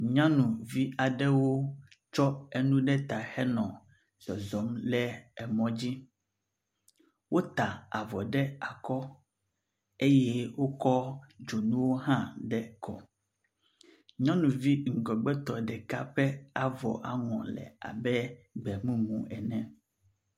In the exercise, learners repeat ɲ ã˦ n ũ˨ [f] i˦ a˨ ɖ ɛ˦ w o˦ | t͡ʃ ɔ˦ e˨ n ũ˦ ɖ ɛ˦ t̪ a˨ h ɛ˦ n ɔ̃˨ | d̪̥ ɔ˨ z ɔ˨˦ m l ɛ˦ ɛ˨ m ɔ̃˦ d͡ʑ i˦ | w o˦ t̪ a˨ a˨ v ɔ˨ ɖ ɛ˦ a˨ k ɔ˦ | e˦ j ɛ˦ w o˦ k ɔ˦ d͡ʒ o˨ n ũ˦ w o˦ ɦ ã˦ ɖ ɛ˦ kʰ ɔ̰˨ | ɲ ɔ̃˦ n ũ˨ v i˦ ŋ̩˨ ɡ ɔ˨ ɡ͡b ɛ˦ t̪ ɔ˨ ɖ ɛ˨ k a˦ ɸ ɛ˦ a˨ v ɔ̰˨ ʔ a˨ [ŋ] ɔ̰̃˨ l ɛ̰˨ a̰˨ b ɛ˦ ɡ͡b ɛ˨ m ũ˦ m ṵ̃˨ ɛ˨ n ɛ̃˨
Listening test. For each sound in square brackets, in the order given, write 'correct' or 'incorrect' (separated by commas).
incorrect, correct